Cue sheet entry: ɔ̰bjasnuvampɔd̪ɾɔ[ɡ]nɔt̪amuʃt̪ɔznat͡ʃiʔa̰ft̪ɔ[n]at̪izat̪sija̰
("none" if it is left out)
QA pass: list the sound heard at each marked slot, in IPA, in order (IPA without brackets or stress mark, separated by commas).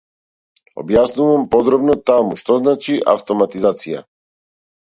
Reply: b, m